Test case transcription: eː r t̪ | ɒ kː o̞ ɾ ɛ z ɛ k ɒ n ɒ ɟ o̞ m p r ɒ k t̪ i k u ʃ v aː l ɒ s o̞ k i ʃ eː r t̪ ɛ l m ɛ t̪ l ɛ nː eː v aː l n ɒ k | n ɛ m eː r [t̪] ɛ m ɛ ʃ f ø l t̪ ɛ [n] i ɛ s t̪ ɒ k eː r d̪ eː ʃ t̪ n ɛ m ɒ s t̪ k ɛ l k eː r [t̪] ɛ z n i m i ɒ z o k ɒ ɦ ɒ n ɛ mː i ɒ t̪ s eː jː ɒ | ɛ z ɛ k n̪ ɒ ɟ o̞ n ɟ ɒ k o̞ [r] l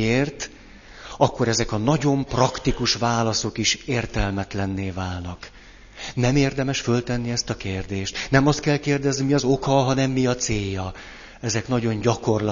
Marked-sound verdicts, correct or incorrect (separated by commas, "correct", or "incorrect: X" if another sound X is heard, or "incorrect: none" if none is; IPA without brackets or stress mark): incorrect: d̪, incorrect: nː, incorrect: d̪, correct